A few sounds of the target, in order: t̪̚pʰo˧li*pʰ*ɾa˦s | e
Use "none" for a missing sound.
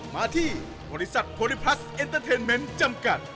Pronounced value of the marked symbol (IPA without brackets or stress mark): pʰ